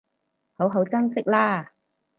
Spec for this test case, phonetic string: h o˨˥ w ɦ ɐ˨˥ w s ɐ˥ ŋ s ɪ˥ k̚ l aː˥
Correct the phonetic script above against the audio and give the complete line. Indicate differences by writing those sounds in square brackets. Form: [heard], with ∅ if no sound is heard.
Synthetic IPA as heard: h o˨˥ w ɦ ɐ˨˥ w [t͡s] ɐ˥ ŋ s ɪ˥ k̚ l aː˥